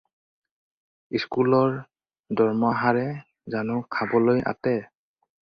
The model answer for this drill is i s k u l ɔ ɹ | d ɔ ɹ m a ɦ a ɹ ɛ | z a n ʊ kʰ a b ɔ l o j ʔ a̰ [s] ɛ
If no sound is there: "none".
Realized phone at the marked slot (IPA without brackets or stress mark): t